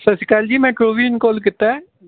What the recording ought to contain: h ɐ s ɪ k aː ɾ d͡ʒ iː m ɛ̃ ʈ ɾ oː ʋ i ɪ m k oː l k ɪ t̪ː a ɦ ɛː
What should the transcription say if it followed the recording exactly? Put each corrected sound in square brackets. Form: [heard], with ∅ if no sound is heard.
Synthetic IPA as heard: [s] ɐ s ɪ k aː [l] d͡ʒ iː m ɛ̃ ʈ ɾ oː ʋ i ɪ [n] k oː l k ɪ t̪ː a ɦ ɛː